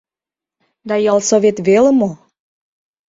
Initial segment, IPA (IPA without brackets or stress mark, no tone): d̪